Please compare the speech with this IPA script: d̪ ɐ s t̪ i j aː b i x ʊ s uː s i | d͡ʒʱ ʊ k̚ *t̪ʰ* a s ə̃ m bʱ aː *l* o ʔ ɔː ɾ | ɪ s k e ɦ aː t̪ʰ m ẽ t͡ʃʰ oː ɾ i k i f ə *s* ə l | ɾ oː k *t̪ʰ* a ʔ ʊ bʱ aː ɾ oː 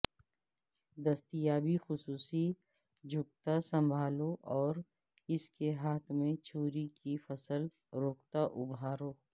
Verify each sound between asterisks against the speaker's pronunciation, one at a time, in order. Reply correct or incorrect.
incorrect: t̪, correct, correct, incorrect: t̪

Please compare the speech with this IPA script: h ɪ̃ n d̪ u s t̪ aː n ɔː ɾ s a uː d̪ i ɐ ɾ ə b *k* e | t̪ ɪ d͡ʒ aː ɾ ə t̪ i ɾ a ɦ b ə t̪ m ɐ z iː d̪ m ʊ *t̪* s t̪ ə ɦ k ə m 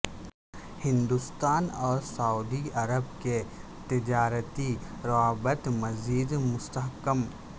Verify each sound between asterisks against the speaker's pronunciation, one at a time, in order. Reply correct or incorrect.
correct, incorrect: none

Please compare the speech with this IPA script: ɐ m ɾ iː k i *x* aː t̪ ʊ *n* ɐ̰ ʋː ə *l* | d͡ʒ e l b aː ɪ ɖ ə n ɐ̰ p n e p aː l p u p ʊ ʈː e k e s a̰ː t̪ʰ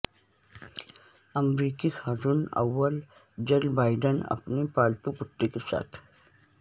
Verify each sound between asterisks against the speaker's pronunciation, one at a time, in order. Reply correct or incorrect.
correct, correct, correct

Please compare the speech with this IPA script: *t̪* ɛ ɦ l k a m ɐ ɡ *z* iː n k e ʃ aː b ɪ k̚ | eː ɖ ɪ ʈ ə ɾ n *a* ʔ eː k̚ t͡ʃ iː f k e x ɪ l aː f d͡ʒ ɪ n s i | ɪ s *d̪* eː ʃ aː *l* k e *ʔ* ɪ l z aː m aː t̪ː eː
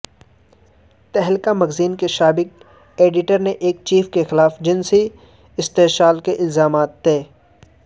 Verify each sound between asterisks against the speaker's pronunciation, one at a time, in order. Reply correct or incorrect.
correct, correct, incorrect: e, incorrect: t̪, correct, correct

